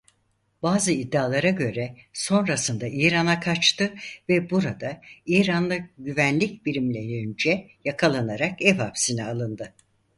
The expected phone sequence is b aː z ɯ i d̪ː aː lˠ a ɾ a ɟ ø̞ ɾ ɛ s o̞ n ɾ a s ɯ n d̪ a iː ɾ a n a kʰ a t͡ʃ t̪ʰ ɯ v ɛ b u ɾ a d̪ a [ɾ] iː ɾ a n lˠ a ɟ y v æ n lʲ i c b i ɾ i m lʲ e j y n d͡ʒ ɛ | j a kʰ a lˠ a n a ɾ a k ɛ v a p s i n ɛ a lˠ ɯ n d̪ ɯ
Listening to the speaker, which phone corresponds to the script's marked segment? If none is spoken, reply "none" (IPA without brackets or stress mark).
none